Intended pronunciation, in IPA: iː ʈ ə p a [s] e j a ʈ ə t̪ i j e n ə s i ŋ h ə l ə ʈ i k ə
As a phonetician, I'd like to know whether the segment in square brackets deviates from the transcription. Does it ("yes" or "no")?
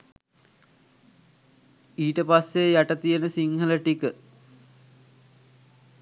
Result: yes